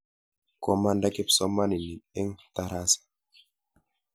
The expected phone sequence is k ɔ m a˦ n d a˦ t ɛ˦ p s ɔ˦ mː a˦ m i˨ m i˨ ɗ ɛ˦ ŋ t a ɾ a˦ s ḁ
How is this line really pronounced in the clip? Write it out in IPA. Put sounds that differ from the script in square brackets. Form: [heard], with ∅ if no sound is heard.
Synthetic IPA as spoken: k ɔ m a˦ n d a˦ [k] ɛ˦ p s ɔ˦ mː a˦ [n] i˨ [n] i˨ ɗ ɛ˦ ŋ t a ɾ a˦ s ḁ